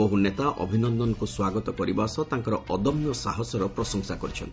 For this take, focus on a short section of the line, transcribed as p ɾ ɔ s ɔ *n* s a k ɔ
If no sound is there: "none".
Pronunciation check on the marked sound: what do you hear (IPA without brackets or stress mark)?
ŋ